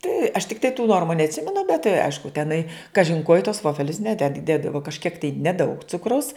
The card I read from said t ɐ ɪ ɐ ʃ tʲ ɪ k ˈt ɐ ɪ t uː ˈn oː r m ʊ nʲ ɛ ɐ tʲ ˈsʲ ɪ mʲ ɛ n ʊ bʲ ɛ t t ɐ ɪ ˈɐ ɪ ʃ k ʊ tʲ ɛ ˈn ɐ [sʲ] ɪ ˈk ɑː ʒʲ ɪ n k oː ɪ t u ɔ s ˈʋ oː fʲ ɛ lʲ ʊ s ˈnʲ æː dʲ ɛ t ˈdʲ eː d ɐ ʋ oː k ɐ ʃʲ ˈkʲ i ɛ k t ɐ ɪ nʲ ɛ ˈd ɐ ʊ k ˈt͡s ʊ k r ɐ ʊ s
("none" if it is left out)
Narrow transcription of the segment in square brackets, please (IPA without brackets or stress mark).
none